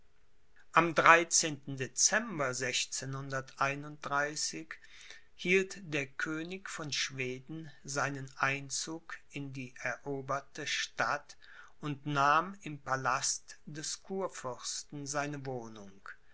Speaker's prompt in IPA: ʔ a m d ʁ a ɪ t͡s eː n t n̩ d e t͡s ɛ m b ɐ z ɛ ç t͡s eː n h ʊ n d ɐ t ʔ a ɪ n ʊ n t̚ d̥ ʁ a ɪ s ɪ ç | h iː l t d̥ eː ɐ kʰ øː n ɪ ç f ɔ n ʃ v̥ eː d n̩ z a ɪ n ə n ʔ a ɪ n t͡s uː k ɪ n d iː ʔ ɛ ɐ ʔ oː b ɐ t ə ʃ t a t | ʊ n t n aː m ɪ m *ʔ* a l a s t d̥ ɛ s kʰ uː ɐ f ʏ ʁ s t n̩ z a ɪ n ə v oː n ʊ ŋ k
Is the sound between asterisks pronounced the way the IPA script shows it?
no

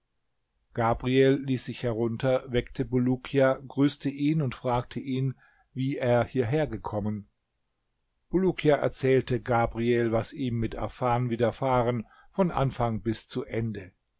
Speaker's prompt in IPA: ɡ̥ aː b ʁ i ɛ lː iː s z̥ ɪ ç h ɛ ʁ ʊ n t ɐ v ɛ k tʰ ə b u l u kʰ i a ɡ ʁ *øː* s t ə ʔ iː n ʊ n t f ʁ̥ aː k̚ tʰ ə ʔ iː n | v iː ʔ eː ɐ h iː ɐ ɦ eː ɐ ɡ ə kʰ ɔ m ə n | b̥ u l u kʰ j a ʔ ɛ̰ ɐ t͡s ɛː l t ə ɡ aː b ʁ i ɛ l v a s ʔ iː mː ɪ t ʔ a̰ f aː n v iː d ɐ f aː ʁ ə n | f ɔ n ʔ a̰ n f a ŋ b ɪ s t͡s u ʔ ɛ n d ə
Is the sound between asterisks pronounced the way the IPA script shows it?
no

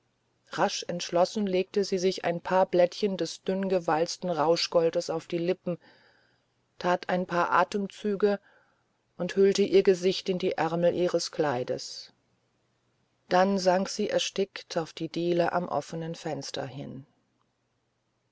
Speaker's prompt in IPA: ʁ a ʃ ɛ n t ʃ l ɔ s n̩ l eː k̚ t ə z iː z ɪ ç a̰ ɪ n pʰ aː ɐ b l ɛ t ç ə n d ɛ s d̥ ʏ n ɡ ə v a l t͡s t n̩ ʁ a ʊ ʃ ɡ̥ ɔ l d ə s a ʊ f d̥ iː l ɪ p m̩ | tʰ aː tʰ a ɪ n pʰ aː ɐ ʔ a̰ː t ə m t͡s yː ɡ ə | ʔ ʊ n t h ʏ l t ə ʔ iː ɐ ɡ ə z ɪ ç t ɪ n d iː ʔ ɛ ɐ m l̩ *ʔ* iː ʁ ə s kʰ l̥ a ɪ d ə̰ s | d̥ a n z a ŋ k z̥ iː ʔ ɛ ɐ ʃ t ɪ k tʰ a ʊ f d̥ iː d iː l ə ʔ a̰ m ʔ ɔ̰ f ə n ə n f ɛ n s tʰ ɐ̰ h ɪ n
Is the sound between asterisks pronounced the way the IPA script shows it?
yes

